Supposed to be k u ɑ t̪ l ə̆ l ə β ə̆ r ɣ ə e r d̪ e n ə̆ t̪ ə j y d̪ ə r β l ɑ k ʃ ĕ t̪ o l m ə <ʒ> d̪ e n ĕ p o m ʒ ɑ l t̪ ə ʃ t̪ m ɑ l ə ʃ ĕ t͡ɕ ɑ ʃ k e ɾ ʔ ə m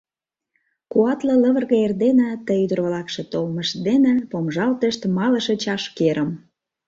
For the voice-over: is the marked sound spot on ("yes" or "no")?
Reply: no